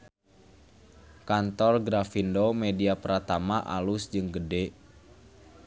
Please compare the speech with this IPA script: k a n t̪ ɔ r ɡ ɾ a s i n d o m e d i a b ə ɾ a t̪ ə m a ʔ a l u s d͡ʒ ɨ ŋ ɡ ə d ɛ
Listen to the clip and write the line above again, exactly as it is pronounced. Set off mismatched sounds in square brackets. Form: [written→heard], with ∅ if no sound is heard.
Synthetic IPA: k a n t̪ ɔ r ɡ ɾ a [s→f] i n d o m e d i a [b→p] ə ɾ a t̪ [ə→a] m a ʔ a l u s d͡ʒ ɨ ŋ ɡ ə d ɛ